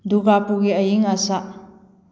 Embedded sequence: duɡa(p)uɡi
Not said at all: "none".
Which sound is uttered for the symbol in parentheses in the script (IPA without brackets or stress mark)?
p